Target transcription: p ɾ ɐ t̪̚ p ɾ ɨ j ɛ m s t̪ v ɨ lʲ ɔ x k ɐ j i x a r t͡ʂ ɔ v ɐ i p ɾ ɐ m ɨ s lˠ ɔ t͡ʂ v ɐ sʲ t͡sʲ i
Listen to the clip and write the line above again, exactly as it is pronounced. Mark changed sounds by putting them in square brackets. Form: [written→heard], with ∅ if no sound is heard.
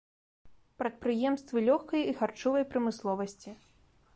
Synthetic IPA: p ɾ ɐ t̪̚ p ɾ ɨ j ɛ m s t̪ v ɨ lʲ ɔ x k ɐ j i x a r t͡ʂ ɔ v ɐ [i→j] p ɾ ɐ m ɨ s lˠ ɔ [t͡ʂ→∅] v ɐ sʲ t͡sʲ i